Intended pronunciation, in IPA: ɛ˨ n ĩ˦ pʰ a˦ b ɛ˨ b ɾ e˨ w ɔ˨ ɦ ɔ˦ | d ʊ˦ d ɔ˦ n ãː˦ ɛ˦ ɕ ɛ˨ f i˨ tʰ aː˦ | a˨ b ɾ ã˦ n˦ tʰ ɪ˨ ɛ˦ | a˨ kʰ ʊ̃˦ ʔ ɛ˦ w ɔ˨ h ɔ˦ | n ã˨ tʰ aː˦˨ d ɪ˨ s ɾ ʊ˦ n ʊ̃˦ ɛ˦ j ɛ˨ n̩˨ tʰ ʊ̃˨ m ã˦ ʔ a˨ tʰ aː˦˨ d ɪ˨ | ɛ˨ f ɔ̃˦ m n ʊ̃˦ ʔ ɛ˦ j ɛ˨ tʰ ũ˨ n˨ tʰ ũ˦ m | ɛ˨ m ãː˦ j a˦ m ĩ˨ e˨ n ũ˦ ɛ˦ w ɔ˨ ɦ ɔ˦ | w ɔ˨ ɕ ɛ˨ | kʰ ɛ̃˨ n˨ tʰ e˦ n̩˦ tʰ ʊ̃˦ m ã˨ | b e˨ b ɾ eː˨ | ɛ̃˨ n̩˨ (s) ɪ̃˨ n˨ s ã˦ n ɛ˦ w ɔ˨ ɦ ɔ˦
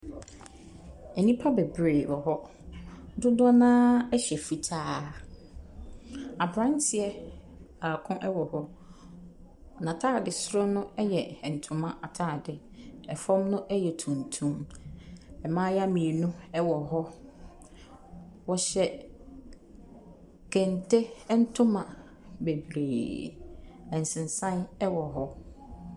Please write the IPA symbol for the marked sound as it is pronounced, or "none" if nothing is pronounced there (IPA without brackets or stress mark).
s